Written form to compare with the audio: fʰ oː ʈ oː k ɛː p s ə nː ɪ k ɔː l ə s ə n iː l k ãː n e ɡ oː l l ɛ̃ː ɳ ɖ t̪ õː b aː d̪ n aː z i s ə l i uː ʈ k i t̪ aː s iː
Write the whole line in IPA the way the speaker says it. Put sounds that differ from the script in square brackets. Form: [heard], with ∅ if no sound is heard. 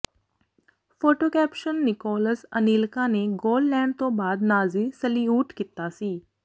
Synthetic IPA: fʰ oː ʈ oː k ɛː p [ʃ] ə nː ɪ k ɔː l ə s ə n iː l k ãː n e ɡ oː l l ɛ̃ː ɳ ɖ t̪ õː b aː d̪ n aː z i s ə l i uː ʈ k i t̪ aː s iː

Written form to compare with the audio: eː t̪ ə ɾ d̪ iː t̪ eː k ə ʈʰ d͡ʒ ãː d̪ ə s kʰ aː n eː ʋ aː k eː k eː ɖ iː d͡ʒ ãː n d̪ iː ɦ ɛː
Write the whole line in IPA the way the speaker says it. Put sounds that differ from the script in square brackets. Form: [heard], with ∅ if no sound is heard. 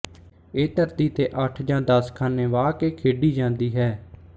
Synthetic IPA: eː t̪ ə ɾ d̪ iː t̪ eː [ʔ] ə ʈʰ d͡ʒ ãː d̪ ə s kʰ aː n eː ʋ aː k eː [kʰ] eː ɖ iː d͡ʒ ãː n d̪ iː ɦ ɛː

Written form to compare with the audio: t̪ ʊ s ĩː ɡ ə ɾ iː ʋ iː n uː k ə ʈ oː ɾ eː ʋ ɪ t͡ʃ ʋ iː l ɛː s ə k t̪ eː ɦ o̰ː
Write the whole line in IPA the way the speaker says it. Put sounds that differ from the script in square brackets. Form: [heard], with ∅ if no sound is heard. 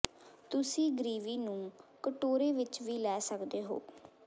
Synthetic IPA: t̪ ʊ s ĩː ɡ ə ɾ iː ʋ iː n [ũː] k ə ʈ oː ɾ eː ʋ ɪ t͡ʃ ʋ iː l ɛː s ə k [d̪] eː ɦ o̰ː

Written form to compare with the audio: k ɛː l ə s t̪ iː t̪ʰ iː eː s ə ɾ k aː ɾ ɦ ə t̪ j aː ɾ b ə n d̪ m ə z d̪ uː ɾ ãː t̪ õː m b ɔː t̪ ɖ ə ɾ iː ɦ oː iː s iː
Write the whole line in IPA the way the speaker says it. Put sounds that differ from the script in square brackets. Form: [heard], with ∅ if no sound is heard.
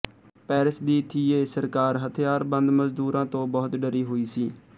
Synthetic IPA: [p] ɛː [ɾ] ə s [d̪] iː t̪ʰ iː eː s ə ɾ k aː ɾ ɦ ə [t̪ʰ] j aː ɾ b ə n d̪ m ə z d̪ uː ɾ ãː t̪ õː [∅] b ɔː t̪ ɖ ə ɾ iː ɦ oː iː s iː

